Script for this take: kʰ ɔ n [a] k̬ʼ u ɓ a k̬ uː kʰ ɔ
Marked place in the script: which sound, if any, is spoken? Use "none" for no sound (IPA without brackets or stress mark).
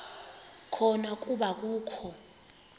a